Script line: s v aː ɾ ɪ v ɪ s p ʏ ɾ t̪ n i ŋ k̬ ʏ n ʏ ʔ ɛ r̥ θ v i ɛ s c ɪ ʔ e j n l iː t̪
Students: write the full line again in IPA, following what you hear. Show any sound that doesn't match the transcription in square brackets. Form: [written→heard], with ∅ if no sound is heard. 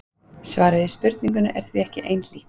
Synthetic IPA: s v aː ɾ ɪ [v→ð] ɪ s p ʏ ɾ t̪ n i ŋ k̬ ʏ n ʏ ʔ ɛ [r̥→ɾ̥] θ v i ɛ [s→h] c ɪ ʔ e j n l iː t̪